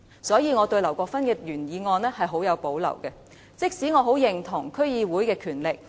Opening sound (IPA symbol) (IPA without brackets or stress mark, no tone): s